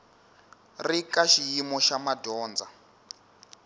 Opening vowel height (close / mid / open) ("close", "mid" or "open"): close